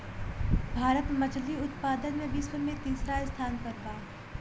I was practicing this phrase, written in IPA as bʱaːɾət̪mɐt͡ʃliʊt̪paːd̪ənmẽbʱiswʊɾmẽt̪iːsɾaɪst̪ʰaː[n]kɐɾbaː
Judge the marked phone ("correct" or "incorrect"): correct